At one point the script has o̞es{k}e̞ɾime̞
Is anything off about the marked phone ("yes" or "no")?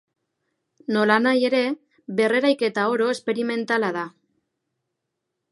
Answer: yes